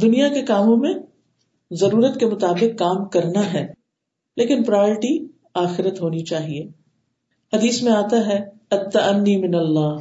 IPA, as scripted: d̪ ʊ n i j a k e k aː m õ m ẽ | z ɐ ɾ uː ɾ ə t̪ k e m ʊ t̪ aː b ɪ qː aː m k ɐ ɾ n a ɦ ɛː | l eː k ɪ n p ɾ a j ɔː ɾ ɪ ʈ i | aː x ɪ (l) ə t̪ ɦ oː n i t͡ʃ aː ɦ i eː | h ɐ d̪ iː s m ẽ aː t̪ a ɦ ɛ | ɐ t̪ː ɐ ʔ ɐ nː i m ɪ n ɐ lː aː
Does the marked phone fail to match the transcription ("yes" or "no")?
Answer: yes